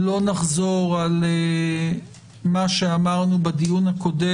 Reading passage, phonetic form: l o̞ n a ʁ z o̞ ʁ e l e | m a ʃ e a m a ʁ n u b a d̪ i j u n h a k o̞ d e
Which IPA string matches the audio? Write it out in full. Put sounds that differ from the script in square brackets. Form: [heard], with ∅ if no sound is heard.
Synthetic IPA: l o̞ n a [χ] z o̞ ʁ [a] l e | m a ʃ e a m a ʁ n u b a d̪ i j u n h a k o̞ d e